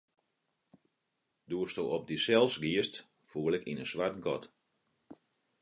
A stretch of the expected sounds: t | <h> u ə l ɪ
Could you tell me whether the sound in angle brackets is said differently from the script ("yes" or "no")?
yes